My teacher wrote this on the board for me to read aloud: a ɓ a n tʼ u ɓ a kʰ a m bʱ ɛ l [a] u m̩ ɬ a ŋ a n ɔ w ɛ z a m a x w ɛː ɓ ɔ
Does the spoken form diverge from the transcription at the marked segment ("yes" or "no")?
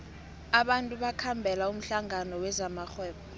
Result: no